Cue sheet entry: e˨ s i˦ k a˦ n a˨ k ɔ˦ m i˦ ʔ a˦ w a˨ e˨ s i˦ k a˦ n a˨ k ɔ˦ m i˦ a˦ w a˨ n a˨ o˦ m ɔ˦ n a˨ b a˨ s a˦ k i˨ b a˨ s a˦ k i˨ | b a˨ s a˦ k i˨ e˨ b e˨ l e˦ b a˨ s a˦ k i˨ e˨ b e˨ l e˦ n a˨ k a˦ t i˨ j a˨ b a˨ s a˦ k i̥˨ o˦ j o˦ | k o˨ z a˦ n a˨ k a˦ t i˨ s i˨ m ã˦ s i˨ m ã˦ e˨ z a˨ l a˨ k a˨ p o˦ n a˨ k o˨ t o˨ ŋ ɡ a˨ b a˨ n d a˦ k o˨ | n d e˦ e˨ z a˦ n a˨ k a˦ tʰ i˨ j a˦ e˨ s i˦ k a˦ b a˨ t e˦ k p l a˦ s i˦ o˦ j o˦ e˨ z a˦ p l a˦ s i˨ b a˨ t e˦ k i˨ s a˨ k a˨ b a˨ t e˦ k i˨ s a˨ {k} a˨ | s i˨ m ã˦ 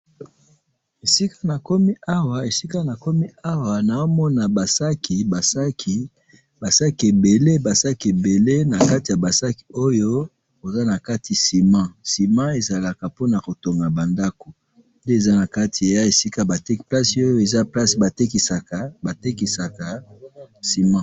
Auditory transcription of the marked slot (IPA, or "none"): k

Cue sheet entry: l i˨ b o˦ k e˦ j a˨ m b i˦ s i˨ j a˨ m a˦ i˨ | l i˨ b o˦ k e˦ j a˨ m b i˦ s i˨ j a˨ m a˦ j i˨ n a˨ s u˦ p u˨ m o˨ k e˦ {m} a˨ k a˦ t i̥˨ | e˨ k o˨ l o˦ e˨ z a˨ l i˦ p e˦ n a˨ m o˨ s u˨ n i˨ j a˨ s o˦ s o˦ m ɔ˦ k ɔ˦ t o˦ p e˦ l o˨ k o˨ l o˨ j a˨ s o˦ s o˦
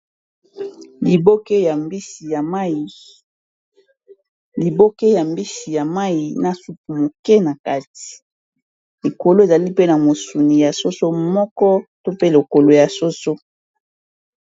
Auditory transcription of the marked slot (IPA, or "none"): n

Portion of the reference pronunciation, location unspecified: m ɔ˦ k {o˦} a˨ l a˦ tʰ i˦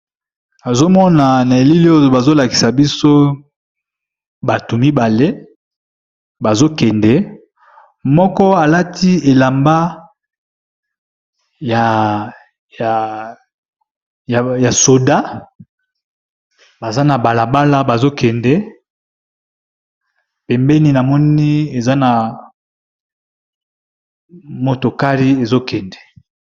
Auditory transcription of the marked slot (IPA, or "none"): ɔ˦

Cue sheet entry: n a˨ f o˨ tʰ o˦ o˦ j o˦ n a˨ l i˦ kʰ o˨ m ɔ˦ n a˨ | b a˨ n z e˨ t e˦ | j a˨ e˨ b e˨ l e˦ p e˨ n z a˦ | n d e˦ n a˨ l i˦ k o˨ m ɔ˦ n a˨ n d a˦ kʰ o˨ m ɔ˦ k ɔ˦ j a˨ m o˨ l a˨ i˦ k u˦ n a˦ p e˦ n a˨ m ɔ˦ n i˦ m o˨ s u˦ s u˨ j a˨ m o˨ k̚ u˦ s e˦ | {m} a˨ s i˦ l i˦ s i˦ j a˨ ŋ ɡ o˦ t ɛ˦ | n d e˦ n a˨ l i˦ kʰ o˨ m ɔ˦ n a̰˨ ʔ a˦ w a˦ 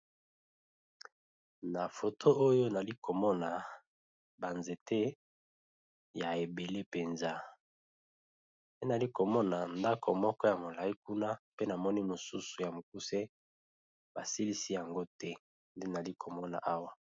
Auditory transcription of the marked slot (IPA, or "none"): b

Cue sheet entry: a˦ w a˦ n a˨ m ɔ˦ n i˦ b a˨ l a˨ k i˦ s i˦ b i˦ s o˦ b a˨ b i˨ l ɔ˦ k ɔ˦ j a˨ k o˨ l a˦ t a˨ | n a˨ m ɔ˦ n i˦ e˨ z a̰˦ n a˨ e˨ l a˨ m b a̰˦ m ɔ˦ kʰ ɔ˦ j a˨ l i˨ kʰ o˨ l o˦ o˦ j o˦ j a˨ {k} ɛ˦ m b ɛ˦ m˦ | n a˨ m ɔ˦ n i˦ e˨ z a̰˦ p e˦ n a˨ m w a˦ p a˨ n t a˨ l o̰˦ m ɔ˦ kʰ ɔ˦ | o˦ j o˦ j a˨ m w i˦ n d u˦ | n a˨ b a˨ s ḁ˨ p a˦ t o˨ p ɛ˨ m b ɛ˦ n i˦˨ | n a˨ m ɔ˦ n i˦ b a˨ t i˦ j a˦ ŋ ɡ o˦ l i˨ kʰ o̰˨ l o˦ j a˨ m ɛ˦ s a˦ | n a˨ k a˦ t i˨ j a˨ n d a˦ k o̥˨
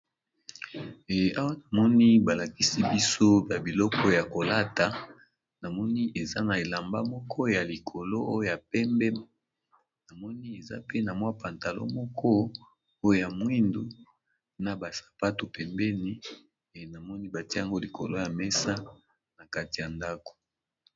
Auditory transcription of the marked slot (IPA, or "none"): p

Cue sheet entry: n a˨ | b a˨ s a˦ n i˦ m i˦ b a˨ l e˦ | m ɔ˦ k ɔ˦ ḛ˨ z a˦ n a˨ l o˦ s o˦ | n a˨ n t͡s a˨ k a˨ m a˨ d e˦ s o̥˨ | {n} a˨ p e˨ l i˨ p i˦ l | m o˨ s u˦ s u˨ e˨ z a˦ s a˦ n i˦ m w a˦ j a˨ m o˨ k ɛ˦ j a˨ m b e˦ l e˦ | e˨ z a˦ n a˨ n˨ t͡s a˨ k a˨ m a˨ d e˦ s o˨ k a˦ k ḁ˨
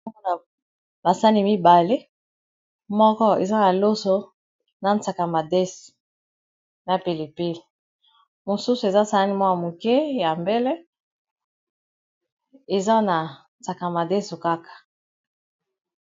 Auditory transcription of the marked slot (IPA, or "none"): n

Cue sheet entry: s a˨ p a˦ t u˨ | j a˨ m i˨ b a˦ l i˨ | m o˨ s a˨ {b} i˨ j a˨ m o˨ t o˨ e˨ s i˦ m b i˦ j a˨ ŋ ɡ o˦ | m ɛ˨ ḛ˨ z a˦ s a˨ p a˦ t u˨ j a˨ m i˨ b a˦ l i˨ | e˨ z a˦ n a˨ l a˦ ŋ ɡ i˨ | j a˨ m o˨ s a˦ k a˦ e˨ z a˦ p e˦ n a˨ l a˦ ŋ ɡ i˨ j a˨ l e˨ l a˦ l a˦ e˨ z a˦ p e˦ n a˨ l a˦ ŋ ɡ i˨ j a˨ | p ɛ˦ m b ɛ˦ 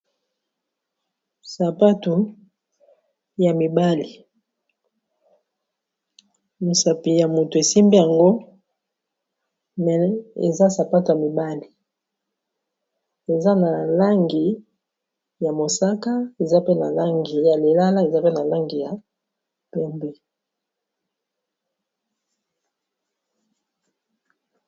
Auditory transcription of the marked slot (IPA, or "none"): p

